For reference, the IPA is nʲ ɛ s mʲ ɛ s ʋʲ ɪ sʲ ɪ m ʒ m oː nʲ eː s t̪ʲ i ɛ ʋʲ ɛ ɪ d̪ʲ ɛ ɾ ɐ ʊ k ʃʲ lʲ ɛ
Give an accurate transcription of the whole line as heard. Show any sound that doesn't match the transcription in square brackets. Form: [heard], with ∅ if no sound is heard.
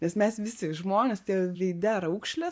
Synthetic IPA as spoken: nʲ ɛ s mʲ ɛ s ʋʲ ɪ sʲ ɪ [∅] ʒ m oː nʲ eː s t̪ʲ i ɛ ʋʲ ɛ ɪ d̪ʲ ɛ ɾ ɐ ʊ k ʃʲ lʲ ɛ